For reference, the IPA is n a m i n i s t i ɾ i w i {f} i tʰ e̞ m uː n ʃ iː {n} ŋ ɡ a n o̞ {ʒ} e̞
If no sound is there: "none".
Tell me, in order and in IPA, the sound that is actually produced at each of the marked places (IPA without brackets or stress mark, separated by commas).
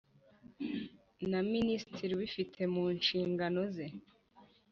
f, none, z